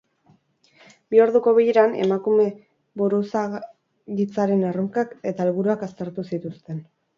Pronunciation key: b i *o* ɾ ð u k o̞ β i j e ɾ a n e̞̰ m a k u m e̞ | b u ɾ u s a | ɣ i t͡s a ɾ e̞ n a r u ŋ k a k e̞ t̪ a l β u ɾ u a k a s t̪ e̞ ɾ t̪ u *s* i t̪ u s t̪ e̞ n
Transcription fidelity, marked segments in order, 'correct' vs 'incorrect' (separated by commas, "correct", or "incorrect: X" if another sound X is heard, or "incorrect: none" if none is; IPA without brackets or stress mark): correct, correct